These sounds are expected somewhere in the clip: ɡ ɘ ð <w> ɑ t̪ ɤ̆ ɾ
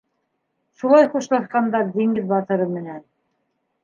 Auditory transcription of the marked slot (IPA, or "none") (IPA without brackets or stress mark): b